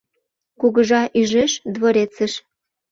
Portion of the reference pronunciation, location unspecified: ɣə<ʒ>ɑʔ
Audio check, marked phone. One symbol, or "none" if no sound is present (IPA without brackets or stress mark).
ʒ